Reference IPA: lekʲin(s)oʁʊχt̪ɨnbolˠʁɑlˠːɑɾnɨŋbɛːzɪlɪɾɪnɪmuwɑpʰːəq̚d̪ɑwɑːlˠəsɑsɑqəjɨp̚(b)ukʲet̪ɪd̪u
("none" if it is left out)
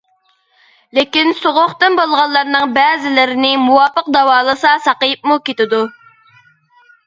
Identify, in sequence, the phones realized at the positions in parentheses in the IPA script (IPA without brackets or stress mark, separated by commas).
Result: s, m